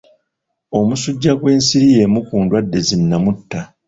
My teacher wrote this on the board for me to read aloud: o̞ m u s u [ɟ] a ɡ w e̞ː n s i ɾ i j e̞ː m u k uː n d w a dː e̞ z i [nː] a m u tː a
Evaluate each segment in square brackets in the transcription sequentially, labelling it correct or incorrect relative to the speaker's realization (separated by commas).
incorrect, correct